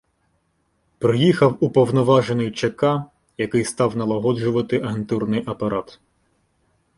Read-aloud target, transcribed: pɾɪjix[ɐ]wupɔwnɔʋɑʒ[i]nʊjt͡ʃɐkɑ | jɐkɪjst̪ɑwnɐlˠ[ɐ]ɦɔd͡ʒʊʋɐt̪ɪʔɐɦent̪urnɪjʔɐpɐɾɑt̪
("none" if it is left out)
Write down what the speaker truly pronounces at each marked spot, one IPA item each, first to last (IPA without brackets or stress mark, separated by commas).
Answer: ɐ, e, ɐ